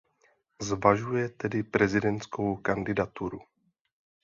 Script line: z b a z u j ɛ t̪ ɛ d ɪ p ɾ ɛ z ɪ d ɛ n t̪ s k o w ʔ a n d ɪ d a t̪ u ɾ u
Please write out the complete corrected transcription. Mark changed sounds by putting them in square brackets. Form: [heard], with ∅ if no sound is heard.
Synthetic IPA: z [v] a [ʒ] u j ɛ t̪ ɛ d ɪ p ɾ ɛ z ɪ d ɛ n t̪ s k o w [k] a n d ɪ d a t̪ u ɾ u

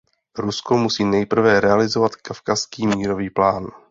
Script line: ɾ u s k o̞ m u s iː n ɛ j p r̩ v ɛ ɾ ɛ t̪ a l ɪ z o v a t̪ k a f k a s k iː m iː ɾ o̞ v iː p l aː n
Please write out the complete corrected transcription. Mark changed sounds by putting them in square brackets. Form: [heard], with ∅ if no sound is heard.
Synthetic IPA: ɾ u s k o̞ m u s iː n ɛ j p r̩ v ɛ ɾ ɛ [∅] a l ɪ z o v a t̪ k a f k a s k iː m iː ɾ o̞ v iː p l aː n

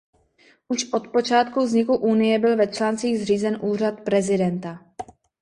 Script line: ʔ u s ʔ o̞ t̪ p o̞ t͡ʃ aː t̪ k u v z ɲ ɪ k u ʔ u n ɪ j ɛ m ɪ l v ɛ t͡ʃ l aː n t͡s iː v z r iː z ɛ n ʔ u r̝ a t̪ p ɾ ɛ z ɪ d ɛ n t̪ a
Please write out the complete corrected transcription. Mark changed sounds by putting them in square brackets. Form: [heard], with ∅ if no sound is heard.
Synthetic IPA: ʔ u [ʃ] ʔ o̞ t̪ p o̞ t͡ʃ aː t̪ k u v z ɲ ɪ k u ʔ u n ɪ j ɛ [b] ɪ l v ɛ t͡ʃ l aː n t͡s iː [ɣ] z r iː z ɛ n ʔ [uː] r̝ a t̪ p ɾ ɛ z ɪ d ɛ n t̪ a

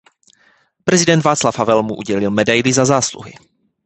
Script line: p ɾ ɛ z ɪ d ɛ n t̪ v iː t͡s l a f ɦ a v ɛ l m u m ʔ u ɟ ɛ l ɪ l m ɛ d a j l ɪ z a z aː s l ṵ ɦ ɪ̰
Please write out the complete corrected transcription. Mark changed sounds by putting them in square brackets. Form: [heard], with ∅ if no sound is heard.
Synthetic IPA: p ɾ ɛ z ɪ d ɛ n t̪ v [aː] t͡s l a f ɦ a v ɛ l m u [∅] ʔ u ɟ ɛ l ɪ l m ɛ d a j l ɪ z a z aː s l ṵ ɦ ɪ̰

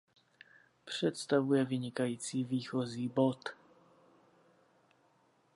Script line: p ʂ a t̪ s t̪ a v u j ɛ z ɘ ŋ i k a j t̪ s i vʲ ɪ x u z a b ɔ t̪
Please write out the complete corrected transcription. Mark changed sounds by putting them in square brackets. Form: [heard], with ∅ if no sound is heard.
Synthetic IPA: p ʂ [ɛ] t̪ s t̪ a v u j ɛ [v] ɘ [ɲ] i k a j t̪ s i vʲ [i] x [ɔ] z [i] b ɔ t̪

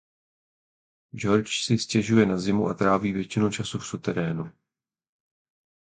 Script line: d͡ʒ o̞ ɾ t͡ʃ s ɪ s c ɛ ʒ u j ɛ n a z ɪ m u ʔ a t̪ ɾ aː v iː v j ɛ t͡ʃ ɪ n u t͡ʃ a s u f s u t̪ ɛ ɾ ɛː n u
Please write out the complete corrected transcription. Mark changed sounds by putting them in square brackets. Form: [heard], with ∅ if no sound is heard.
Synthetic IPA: d͡ʒ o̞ ɾ t͡ʃ s ɪ s c ɛ ʒ u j ɛ n a z ɪ m u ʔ a t̪ ɾ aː v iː v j ɛ t͡ʃ ɪ n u t͡ʃ a s u f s u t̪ ɛ ɾ ɛː n u

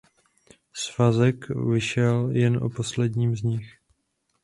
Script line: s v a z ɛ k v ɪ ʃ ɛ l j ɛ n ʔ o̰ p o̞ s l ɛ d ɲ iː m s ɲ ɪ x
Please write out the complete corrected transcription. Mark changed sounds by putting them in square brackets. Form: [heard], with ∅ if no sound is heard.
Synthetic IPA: s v a z ɛ k v ɪ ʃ ɛ l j ɛ n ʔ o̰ p o̞ s l ɛ d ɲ iː m [z] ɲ ɪ x

